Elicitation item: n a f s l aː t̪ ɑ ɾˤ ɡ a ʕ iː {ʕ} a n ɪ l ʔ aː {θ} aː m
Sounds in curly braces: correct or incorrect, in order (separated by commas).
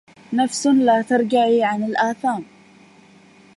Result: correct, correct